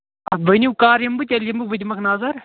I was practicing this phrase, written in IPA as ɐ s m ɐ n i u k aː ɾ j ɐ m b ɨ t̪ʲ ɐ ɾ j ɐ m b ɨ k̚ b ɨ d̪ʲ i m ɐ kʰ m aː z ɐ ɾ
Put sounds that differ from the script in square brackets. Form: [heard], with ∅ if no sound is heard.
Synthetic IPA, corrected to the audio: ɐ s [b] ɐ n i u k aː ɾ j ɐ m b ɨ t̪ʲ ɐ [l] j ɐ m b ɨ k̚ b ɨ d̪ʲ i m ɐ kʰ [n] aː z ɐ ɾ